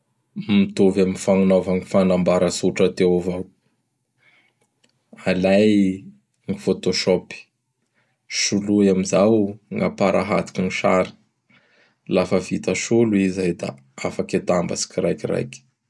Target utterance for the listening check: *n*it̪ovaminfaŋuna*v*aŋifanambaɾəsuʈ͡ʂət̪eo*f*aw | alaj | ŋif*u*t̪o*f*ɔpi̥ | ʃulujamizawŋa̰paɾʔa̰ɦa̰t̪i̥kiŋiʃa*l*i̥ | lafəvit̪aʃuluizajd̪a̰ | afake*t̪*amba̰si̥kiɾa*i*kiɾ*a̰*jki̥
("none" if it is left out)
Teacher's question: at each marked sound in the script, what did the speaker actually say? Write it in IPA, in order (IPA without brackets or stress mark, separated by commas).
m, v, v, o, ʃ, ɾ, t̪, j, a̰